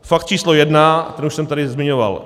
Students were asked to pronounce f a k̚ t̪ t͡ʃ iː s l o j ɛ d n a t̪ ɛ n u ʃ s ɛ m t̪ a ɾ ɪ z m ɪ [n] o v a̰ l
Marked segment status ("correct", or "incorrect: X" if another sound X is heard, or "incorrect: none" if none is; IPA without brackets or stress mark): incorrect: ɲ